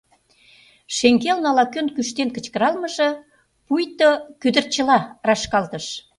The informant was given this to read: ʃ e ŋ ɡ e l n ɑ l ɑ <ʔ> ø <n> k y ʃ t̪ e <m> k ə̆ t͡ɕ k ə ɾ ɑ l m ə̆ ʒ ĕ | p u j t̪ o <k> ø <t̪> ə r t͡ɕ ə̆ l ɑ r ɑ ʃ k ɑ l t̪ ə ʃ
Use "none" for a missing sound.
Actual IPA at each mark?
k, n, n, k, d̪

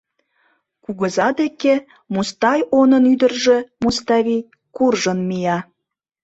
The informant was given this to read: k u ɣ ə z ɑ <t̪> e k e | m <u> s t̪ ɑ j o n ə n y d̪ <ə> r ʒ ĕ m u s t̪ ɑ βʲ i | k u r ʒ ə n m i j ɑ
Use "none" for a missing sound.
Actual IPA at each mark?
d̪, u, ə

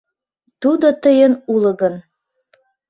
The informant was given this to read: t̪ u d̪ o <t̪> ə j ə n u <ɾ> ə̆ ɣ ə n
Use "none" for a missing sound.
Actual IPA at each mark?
t̪, l

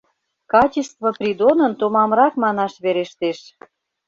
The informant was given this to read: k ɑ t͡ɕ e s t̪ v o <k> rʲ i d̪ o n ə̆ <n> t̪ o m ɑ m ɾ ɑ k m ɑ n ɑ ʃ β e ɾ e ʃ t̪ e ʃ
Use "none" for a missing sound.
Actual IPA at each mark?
p, n

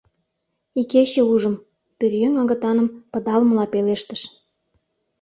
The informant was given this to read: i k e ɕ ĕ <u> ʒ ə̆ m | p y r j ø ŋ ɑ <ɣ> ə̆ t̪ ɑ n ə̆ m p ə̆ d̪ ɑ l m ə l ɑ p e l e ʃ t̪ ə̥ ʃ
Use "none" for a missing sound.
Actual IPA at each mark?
u, ɣ

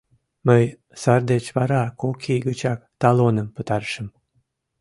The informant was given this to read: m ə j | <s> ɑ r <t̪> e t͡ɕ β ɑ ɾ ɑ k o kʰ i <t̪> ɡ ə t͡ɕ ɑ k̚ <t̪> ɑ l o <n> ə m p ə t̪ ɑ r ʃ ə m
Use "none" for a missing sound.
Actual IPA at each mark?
s, d̪, none, t̪, n

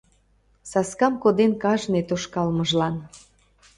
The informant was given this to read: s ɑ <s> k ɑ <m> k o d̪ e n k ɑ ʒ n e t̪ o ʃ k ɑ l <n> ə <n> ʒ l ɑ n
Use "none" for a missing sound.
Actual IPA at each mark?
s, m, m, none

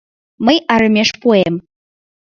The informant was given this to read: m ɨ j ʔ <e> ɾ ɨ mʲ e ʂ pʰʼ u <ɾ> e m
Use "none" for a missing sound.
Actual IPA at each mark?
a, none

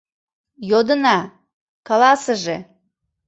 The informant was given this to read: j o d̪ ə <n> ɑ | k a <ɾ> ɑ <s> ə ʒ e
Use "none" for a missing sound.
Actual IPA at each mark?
n, l, s

